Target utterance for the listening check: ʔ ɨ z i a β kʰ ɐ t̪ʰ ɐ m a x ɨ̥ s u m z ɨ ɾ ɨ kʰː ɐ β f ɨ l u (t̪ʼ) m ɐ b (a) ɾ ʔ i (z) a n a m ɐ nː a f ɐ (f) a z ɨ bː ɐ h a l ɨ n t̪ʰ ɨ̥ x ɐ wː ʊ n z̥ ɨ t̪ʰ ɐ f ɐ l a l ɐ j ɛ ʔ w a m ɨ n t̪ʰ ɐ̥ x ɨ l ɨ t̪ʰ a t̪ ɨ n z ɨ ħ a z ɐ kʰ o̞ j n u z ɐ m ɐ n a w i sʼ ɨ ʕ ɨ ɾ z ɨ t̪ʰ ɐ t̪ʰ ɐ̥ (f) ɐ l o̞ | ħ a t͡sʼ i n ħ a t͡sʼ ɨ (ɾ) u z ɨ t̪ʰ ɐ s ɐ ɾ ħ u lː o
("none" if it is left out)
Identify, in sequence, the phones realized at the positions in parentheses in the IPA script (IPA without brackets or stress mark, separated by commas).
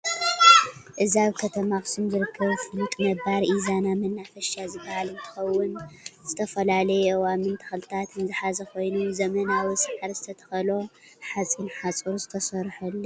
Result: t̪ʼ, a, z, ʃ, x, ɾ